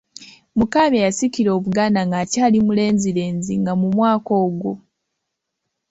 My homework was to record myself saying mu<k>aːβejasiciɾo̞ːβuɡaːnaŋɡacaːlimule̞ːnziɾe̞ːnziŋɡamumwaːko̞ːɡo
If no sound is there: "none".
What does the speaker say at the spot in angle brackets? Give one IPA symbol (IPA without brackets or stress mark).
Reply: k